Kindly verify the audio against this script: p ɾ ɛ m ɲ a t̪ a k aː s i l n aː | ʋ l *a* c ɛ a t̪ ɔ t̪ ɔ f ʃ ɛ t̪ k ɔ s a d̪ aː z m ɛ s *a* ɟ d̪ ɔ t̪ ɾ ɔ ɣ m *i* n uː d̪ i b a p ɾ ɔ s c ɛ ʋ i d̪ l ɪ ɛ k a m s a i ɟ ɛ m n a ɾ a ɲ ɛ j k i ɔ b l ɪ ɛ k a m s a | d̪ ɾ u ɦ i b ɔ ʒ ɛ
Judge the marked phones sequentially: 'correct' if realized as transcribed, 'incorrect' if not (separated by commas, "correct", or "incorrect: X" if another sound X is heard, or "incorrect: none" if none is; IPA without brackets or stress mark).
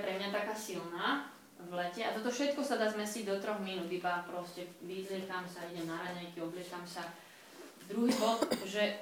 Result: incorrect: ɛ, incorrect: i, correct